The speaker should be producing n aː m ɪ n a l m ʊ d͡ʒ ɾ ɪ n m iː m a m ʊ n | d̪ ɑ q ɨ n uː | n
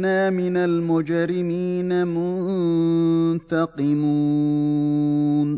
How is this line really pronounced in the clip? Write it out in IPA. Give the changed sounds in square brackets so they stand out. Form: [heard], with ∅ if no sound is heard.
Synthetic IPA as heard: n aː m ɪ n a l m ʊ d͡ʒ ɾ ɪ [∅] m iː [n] a m ʊ n | [t̪] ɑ q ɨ [m] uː | n